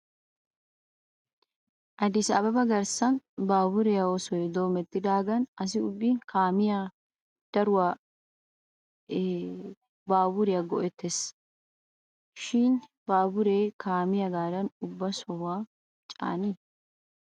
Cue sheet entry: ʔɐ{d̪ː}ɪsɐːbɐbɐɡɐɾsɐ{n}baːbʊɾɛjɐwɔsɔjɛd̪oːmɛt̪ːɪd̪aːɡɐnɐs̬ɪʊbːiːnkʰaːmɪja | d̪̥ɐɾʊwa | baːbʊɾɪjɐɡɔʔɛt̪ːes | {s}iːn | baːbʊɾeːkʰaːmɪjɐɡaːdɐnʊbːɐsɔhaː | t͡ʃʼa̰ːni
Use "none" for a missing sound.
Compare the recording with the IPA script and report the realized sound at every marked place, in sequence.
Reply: d̪, n, ʃ

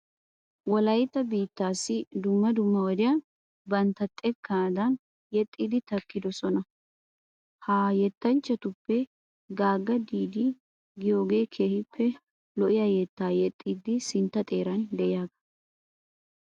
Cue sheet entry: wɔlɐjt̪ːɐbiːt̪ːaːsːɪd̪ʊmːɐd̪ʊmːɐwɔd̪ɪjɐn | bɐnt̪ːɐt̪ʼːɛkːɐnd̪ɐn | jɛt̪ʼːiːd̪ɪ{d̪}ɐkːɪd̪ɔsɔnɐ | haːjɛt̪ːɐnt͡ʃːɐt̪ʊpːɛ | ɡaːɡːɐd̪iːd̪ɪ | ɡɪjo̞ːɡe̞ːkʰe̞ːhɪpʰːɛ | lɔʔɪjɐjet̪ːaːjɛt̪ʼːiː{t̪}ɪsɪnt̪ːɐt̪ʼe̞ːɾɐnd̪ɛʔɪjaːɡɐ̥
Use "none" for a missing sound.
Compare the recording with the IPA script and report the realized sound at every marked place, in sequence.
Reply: t̪, d̪

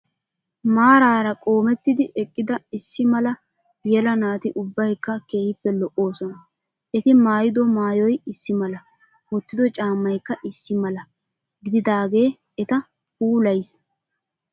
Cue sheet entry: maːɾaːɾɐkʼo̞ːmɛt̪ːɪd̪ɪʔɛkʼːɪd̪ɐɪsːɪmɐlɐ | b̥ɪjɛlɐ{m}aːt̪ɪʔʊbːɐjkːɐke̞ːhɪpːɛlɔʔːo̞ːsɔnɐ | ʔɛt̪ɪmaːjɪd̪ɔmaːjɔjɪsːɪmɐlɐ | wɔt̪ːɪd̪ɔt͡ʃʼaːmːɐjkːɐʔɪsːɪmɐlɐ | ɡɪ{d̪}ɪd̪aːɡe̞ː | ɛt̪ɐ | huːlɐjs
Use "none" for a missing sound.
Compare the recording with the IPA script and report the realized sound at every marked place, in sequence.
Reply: n, d̪

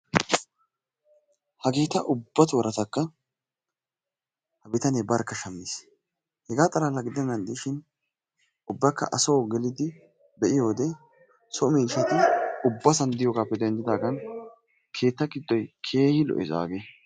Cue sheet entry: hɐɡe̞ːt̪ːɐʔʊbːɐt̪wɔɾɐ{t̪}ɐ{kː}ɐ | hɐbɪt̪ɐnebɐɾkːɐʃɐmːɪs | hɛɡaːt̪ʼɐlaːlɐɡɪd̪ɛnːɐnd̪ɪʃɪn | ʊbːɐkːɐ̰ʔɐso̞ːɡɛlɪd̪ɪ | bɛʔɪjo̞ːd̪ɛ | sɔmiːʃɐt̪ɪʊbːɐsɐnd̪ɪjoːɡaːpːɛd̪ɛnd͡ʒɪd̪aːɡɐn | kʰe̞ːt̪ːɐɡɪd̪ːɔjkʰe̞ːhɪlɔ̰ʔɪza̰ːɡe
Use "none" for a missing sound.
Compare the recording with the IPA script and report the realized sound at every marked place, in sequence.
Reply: t̪, kː

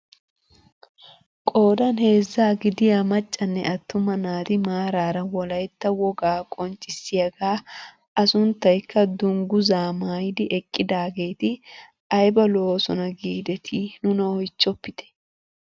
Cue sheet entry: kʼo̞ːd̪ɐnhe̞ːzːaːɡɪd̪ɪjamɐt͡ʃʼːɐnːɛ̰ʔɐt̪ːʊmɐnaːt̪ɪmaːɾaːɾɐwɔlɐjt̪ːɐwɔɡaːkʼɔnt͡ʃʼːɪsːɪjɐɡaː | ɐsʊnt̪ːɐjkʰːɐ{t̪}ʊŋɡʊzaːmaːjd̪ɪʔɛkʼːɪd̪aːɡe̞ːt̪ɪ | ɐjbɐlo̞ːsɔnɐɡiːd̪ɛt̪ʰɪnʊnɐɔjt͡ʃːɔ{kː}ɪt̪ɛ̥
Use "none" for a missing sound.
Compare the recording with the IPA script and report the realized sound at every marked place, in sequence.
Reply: d̪, pː

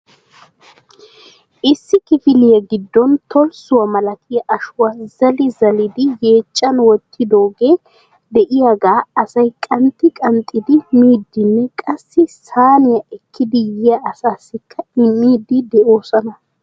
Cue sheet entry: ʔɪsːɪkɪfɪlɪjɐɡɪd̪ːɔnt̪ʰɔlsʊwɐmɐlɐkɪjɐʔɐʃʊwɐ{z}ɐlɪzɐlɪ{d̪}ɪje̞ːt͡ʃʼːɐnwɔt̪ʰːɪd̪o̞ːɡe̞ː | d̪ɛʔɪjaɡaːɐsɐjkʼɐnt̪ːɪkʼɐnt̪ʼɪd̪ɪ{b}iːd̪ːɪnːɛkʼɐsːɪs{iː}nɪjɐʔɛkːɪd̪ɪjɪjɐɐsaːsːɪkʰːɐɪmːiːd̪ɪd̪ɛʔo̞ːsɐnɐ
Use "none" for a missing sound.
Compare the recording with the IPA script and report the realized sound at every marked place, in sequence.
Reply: z, d̪, m, aː

